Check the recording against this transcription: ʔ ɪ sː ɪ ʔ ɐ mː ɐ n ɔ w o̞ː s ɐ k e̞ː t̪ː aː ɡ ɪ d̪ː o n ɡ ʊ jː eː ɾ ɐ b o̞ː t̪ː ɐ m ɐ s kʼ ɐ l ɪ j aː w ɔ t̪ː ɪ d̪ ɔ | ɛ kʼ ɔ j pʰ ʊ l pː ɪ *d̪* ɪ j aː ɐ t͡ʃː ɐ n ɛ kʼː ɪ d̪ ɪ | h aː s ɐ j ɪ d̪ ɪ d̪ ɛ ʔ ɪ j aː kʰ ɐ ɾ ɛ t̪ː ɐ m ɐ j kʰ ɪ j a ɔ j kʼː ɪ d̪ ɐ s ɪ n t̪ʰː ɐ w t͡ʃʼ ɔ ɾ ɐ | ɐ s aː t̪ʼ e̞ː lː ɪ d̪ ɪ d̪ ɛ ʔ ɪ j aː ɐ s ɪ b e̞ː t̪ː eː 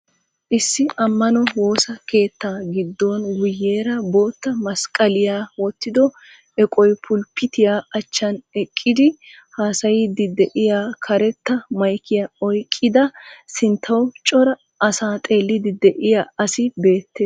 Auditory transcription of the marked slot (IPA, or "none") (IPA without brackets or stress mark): t̪